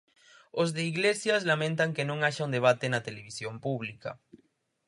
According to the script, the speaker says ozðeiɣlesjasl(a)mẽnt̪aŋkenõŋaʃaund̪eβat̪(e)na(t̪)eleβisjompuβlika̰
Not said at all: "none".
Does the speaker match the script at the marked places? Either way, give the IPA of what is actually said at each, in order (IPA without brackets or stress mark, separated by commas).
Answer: a, e, t̪